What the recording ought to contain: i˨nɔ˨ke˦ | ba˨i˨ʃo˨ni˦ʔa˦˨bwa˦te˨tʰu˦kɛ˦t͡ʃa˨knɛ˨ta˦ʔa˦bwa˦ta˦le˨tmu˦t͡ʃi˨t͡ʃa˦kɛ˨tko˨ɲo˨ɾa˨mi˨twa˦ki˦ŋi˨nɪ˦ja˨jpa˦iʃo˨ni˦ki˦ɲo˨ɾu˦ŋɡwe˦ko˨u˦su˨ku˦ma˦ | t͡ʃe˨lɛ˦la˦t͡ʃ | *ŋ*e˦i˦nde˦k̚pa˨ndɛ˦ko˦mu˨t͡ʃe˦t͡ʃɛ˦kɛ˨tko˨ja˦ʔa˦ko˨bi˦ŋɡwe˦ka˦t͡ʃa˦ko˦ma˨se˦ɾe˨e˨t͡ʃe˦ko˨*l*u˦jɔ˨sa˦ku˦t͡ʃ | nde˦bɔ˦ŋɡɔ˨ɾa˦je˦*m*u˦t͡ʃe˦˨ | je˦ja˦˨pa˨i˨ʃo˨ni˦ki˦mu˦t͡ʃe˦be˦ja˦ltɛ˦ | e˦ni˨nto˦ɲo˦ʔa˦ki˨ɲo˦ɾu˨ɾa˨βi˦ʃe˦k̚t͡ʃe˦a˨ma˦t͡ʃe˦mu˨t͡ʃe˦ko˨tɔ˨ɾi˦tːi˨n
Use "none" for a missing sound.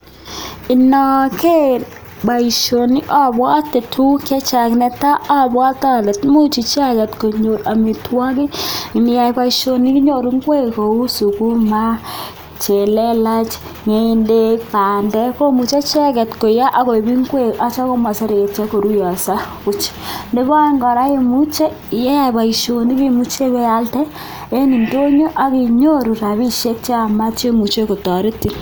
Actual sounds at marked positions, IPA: ŋ, ɾ, m

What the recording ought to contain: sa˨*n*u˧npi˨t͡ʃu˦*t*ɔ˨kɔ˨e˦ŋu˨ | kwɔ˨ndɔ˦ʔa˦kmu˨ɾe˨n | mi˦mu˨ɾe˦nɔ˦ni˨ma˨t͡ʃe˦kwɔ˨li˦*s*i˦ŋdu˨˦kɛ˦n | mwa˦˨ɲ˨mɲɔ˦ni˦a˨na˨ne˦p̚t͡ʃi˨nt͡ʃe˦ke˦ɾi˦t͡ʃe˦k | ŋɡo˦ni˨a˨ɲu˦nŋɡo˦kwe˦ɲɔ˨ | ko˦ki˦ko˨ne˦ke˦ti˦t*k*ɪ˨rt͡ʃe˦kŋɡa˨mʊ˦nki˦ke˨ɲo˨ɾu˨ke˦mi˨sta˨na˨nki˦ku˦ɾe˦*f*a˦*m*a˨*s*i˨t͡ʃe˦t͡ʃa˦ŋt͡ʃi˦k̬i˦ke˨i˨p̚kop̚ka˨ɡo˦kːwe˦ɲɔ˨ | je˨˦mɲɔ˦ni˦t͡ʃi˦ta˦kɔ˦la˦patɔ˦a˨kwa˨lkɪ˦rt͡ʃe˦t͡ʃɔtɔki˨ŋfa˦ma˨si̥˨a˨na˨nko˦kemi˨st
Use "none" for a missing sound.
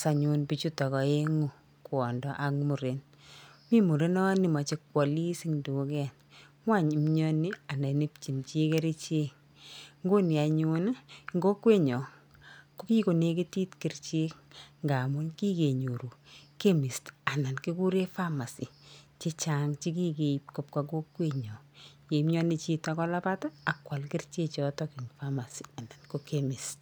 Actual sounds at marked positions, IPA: ɲ, t, s, k, f, m, s

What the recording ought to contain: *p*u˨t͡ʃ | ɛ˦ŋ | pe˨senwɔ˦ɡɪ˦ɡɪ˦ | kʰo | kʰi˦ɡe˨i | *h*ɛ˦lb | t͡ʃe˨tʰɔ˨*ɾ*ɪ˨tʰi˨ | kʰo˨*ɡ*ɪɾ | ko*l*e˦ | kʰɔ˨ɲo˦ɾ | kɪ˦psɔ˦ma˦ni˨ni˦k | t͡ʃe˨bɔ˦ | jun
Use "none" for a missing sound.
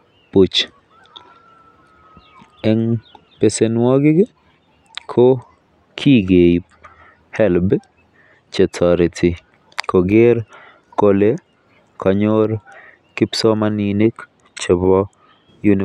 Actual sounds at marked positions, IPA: p, h, ɾ, ɡ, l

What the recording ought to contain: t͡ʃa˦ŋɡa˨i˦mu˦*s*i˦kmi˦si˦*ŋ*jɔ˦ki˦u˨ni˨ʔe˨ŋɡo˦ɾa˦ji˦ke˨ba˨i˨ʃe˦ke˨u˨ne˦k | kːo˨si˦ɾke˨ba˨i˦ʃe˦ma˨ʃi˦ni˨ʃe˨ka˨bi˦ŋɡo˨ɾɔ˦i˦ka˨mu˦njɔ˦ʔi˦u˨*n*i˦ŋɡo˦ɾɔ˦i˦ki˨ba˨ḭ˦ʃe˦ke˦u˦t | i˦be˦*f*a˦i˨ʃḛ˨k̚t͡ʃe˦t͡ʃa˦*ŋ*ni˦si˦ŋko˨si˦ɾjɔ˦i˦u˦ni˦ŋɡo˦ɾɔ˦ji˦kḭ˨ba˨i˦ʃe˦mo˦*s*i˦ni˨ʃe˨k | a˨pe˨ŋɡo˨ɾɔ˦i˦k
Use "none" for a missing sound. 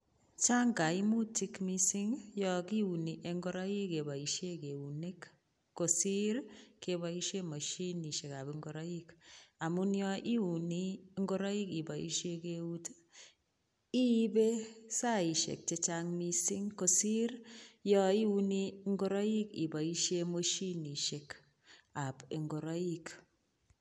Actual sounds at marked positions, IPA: t, ŋ, n, s, ŋ, ʃ

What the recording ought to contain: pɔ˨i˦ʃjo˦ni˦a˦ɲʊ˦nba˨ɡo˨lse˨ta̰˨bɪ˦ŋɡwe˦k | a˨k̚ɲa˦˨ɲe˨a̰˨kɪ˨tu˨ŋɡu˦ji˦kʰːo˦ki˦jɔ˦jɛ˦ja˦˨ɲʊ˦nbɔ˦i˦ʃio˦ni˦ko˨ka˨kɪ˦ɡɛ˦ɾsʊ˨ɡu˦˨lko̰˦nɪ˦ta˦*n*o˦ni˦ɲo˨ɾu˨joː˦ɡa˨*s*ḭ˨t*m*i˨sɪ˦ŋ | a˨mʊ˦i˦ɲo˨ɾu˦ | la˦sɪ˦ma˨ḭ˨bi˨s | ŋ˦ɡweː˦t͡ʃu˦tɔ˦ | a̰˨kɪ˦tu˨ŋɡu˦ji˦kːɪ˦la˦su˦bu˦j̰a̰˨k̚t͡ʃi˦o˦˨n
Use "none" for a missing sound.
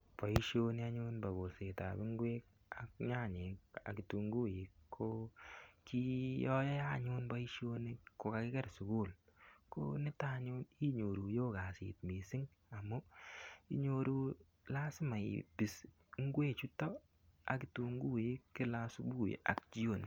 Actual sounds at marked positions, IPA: ɲ, s, m

